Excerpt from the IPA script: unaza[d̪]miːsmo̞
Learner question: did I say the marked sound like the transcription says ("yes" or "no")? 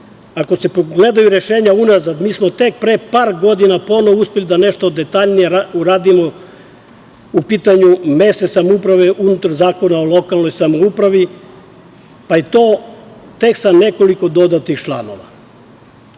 yes